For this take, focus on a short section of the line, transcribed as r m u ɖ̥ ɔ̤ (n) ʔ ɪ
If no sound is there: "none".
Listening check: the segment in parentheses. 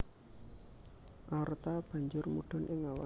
n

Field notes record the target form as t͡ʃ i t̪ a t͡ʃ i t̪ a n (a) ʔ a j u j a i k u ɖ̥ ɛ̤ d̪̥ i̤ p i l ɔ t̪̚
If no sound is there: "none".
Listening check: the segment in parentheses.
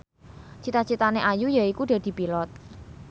e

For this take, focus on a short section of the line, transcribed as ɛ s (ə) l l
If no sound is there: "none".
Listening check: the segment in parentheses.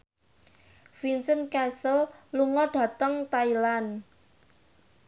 ə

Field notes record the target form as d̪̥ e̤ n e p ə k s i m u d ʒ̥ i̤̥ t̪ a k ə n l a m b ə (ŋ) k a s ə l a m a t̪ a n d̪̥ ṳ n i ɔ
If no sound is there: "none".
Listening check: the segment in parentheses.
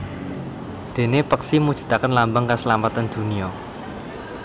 ŋ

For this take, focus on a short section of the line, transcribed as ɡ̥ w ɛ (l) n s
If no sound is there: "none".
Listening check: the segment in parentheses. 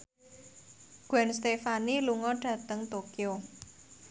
none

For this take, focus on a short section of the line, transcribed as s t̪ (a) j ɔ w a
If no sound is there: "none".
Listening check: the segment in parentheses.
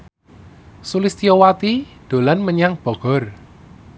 i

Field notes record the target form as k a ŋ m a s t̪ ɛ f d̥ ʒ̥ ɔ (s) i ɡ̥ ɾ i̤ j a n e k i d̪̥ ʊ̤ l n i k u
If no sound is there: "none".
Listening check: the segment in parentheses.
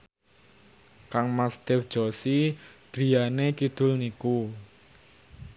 s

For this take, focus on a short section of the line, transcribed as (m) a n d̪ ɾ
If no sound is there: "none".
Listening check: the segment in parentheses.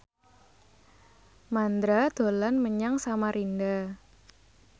m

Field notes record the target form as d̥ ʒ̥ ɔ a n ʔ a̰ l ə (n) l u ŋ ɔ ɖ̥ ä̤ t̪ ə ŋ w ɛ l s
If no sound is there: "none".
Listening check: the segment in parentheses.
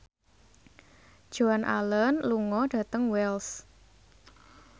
n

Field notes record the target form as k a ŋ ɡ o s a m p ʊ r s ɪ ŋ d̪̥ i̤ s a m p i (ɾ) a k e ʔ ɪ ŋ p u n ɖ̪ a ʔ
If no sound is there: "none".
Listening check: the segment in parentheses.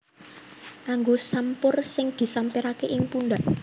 ɾ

